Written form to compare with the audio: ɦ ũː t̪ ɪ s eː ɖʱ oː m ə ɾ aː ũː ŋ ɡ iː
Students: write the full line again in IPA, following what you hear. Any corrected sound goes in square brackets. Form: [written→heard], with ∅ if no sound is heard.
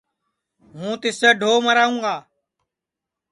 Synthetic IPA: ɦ ũː t̪ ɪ s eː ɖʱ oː m ə ɾ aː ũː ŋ ɡ [iː→aː]